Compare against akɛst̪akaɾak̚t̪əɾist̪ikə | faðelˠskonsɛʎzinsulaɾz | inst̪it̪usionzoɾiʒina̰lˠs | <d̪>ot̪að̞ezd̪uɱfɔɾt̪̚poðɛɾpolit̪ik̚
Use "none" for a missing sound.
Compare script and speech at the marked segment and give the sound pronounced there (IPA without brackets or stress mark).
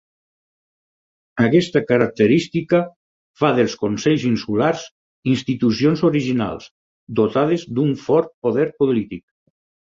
d̪